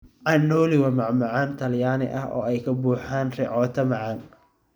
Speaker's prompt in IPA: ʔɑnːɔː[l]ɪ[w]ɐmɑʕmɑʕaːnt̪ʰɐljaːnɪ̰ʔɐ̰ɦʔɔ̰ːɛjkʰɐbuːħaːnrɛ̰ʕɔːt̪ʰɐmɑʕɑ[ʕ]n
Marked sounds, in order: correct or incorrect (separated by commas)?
correct, correct, incorrect